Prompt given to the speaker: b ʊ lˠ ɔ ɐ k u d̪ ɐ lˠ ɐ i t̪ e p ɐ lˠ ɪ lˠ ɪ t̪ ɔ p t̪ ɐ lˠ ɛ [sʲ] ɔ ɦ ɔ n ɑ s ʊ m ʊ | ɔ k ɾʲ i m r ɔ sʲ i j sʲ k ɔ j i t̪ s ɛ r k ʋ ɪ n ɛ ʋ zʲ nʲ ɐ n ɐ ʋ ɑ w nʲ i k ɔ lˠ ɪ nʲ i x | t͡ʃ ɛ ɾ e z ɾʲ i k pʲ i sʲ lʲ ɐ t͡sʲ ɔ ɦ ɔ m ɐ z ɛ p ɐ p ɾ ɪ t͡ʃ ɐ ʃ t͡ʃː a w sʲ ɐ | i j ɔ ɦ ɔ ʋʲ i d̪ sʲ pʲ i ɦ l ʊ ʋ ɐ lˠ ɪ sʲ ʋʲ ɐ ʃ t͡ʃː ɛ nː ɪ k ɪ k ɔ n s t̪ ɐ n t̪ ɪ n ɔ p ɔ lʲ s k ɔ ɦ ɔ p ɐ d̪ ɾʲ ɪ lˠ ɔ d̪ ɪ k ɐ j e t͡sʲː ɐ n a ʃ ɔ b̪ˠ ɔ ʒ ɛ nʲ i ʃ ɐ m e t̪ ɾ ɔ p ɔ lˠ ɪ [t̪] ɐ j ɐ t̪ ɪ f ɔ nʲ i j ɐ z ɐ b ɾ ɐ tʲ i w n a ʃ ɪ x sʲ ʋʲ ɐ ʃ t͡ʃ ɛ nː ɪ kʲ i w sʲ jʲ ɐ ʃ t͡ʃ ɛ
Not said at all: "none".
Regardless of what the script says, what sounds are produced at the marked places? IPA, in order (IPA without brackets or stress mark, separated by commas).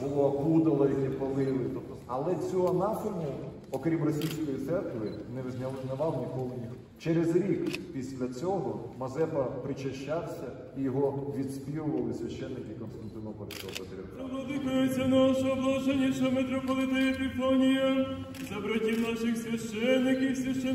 t͡sʲ, t̪